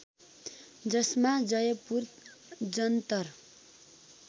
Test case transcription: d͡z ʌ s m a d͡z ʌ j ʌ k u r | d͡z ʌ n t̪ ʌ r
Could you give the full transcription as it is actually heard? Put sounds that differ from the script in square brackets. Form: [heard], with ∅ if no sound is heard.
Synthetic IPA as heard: d͡z ʌ s m a d͡z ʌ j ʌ [p] u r | d͡z ʌ n t̪ ʌ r